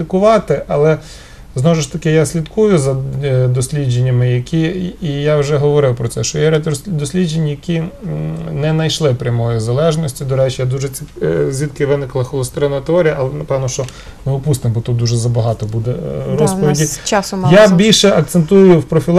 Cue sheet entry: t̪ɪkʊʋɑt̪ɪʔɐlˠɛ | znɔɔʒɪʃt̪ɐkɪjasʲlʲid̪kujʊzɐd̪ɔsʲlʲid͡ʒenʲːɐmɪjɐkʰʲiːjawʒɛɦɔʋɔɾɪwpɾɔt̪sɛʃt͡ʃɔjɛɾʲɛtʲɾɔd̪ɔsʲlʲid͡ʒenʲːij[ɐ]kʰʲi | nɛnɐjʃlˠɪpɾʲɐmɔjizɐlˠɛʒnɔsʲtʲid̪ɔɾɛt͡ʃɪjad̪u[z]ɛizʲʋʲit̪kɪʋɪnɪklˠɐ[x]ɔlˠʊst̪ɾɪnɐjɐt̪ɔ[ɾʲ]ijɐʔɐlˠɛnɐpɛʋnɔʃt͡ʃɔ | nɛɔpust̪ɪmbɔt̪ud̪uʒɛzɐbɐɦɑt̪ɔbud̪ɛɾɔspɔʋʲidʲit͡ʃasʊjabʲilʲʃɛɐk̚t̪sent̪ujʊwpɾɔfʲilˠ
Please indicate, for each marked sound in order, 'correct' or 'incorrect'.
correct, incorrect, correct, correct

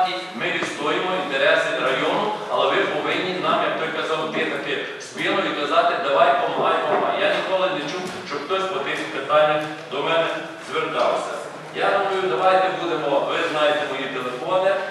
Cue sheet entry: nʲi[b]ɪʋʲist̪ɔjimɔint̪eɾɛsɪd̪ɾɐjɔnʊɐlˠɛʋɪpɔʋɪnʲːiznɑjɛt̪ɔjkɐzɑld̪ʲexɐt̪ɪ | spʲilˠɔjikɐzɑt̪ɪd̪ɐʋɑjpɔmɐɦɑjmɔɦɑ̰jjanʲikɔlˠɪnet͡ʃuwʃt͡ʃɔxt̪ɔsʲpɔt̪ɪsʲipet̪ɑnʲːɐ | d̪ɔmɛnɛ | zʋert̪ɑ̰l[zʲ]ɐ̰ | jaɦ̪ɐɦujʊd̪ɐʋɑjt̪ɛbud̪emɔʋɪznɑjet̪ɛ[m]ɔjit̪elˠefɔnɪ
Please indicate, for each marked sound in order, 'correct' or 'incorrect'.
incorrect, incorrect, correct

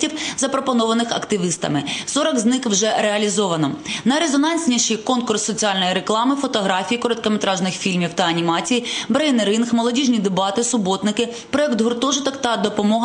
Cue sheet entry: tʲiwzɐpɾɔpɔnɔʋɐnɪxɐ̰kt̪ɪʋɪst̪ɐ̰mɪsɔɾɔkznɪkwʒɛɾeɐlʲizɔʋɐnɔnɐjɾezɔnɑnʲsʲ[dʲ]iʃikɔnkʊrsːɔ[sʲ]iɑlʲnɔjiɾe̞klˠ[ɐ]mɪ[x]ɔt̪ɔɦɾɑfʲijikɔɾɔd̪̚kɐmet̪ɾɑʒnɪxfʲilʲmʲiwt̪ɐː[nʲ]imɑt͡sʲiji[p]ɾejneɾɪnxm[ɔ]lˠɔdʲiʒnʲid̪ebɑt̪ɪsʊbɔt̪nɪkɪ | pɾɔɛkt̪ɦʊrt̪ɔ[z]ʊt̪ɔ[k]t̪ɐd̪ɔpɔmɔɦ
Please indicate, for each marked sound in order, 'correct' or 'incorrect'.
incorrect, incorrect, incorrect, incorrect, correct, incorrect, correct, incorrect, correct

